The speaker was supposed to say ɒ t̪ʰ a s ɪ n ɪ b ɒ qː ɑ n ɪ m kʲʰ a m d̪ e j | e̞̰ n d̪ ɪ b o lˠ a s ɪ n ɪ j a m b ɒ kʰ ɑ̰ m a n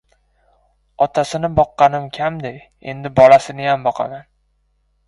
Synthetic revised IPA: ɒ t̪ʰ a s ɪ n ɪ b ɒ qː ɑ n ɪ m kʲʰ a m d̪ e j | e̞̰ n d̪ ɪ b ɒ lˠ a s ɪ n ɪ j a m b ɒ qʰ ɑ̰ m a n